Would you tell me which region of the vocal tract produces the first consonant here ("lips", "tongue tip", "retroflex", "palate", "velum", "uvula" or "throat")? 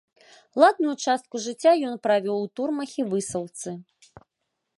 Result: tongue tip